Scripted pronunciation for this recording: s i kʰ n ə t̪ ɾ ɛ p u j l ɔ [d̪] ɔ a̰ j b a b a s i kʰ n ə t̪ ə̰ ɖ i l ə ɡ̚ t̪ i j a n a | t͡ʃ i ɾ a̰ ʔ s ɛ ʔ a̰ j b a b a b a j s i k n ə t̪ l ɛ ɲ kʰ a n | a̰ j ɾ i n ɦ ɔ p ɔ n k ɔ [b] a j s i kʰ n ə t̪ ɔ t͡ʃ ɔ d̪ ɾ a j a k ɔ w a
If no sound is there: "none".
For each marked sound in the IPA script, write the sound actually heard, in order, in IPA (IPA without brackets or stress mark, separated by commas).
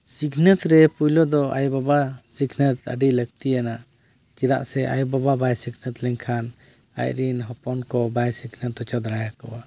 d̪, b